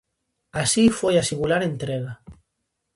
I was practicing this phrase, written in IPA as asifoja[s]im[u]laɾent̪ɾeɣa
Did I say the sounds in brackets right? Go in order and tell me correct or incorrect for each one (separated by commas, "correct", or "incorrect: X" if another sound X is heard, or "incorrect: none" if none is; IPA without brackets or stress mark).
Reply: correct, correct